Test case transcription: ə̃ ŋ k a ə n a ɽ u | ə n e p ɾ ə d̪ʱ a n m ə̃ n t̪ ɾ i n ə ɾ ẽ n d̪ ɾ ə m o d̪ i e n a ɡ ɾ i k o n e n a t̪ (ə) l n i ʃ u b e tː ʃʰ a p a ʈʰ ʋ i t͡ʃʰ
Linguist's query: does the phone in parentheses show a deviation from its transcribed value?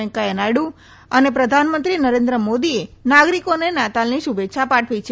yes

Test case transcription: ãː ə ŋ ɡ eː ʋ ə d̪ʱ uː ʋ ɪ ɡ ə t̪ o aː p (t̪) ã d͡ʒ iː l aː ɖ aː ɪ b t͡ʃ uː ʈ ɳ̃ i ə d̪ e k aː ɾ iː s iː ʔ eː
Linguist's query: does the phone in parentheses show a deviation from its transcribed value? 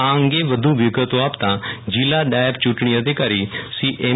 no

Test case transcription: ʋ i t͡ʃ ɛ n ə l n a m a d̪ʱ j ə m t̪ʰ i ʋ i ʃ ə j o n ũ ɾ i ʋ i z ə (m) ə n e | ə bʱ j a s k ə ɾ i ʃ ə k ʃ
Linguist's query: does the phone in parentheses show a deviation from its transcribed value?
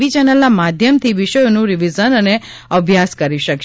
yes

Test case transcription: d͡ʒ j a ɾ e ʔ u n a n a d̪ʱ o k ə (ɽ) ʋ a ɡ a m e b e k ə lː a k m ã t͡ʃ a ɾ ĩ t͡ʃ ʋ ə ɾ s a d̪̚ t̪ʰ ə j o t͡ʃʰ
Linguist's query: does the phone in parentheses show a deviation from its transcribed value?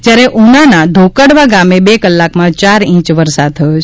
no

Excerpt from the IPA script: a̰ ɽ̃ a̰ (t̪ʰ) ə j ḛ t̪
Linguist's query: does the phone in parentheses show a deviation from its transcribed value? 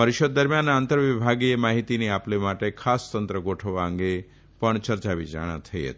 no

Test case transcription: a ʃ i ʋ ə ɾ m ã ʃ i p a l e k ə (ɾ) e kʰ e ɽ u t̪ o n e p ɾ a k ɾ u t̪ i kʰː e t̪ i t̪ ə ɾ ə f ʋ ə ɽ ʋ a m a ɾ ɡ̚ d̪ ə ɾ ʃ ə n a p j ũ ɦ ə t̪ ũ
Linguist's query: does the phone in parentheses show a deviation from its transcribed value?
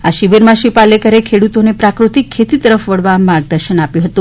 no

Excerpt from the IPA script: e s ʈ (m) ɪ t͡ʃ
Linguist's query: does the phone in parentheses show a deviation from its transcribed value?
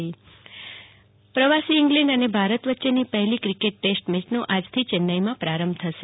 no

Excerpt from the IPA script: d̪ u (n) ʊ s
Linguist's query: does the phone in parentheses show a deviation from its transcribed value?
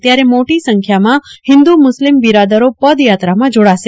yes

